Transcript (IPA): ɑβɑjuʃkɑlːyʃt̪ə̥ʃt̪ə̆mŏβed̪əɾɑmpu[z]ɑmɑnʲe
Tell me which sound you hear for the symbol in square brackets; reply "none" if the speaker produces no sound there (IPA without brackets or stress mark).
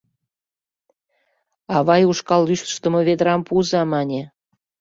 z